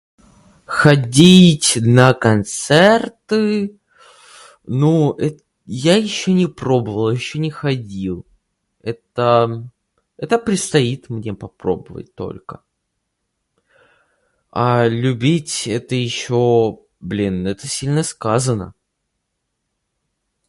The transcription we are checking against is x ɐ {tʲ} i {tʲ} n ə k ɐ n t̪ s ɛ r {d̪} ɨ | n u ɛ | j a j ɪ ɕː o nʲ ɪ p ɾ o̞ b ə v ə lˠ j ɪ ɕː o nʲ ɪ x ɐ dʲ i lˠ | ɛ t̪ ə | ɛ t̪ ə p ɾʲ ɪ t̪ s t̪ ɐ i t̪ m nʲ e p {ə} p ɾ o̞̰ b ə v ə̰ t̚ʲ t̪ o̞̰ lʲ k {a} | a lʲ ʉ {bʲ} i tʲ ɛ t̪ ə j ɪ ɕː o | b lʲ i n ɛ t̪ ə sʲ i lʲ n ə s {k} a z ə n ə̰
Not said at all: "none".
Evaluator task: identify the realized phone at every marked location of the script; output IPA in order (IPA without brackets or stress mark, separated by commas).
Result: dʲ, tʲ, t̪, ɐ, ə, bʲ, k